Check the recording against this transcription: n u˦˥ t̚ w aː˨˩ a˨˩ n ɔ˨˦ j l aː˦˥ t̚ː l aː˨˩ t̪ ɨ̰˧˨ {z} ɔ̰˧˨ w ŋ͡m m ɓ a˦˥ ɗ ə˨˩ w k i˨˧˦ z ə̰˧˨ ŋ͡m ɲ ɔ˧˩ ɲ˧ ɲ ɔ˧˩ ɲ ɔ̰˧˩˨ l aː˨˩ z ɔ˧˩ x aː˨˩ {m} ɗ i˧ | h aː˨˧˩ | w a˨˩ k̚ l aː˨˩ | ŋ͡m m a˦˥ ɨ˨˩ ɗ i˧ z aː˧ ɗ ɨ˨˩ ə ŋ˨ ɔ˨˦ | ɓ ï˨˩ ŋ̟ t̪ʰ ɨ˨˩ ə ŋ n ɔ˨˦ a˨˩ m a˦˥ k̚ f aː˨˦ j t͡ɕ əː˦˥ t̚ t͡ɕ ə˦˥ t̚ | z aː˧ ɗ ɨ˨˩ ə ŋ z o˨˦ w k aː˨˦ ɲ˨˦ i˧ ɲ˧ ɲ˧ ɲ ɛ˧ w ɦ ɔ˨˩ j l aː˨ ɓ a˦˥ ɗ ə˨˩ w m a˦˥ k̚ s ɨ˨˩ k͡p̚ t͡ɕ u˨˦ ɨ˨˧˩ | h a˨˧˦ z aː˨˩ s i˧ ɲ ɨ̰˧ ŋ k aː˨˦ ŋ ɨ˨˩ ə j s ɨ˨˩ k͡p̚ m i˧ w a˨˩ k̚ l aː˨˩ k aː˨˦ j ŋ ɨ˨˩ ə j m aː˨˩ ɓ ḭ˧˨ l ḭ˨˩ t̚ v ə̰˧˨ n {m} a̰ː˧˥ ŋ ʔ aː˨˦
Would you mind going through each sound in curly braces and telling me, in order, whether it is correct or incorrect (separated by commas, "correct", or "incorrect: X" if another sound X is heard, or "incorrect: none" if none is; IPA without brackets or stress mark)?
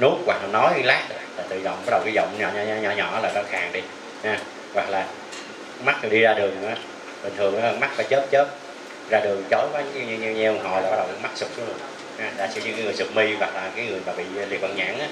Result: correct, incorrect: ŋ, incorrect: ɲ